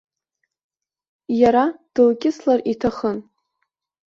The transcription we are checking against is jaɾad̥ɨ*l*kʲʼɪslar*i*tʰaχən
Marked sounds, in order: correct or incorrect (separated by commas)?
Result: correct, correct